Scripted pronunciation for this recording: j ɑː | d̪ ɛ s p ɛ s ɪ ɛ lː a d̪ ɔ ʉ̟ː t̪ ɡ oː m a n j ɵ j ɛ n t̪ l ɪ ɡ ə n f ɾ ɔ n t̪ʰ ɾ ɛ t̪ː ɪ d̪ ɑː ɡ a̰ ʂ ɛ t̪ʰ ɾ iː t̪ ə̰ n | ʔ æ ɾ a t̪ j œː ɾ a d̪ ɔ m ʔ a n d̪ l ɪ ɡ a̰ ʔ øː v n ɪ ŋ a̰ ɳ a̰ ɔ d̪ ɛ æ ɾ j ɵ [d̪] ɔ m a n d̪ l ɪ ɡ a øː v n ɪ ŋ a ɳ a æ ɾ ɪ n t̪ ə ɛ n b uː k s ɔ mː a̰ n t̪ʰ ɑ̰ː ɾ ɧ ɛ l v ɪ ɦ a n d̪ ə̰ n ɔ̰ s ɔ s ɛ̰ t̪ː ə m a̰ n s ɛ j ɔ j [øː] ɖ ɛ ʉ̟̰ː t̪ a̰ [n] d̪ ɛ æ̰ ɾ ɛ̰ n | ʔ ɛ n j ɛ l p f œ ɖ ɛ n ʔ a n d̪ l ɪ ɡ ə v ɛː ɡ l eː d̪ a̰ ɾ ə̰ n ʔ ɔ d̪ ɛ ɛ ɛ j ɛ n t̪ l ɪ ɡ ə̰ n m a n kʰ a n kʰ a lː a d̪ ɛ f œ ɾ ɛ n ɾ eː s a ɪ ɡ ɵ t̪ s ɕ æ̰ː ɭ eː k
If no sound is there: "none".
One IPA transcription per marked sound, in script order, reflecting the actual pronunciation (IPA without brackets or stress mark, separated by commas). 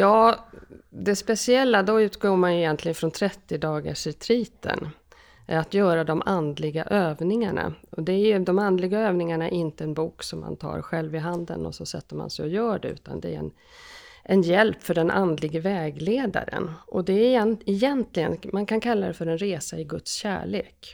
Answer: d̪, œː, n